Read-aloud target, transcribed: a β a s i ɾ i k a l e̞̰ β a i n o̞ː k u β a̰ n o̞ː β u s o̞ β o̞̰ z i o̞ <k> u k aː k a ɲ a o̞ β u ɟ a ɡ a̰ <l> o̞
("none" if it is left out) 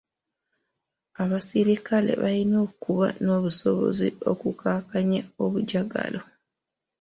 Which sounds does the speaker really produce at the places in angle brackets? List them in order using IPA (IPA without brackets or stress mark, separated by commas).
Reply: k, l